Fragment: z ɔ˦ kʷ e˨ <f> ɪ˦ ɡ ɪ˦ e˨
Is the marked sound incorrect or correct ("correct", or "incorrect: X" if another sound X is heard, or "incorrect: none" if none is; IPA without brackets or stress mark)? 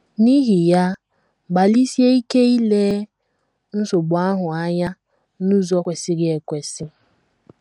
incorrect: s